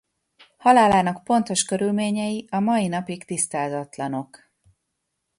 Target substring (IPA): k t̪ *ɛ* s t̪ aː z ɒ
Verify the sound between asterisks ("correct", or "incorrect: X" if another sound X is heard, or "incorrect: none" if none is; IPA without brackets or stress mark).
incorrect: i